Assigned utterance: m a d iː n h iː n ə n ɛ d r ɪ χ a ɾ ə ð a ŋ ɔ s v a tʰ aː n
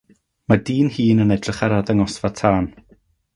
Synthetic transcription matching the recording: m a d iː n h iː n ə n ɛ d r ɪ χ a ɾ a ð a ŋ ɔ s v a tʰ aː n